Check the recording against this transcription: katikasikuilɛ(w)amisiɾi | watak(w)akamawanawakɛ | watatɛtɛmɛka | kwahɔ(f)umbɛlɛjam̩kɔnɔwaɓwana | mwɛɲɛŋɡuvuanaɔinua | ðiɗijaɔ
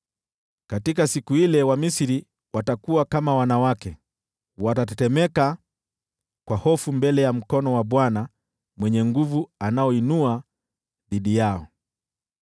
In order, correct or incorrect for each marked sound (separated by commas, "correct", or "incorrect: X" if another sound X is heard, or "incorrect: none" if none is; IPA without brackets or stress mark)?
correct, incorrect: u, correct